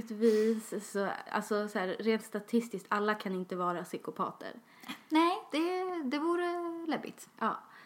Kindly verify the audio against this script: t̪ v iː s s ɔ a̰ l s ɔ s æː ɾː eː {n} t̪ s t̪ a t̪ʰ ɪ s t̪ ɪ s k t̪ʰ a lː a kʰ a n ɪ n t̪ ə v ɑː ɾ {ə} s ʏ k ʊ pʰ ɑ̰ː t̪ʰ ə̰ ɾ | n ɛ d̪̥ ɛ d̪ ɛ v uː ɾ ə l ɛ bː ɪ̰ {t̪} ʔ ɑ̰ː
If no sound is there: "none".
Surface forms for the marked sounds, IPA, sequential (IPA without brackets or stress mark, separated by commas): n, a, t̪